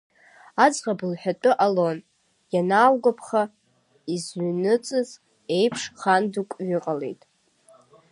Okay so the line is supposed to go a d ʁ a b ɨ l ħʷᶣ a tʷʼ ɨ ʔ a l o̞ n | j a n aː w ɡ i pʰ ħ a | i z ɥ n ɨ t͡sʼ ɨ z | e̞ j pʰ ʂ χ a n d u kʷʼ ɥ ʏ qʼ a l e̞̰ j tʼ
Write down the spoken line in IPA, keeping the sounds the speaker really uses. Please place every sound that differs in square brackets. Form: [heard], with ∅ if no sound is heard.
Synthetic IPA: a [d͡z] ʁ a b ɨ l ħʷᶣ a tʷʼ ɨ ʔ a l o̞ n | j a n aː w ɡ [a] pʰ [χ] a | i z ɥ n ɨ t͡sʼ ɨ z | e̞ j pʰ ʂ χ a n d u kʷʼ ɥ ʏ qʼ a l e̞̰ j tʼ

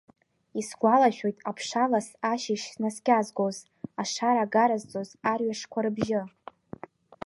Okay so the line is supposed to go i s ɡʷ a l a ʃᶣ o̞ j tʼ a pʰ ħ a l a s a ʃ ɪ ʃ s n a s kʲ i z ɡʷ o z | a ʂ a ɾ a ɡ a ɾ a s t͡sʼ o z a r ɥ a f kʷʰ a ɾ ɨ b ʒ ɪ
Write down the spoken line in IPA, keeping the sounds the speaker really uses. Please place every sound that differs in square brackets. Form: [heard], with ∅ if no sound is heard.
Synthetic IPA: i s ɡʷ a l a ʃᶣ o̞ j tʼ a pʰ [ʂ] a l a s a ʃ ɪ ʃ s n a s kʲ [a] z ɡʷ o z | a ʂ a ɾ a ɡ a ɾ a [z] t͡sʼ o z a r ɥ a [ʂ] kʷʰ a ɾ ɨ b ʒ ɪ

